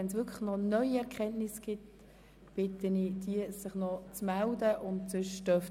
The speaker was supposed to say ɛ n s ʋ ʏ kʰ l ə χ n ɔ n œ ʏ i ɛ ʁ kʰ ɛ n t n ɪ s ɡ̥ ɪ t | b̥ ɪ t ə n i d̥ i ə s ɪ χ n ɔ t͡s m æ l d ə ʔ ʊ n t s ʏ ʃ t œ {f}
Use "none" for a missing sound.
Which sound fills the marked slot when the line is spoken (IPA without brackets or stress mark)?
f